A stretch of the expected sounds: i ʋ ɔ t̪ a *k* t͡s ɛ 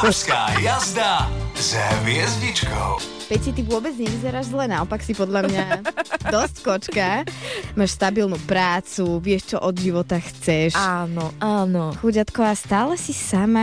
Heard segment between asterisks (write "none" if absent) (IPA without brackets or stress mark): x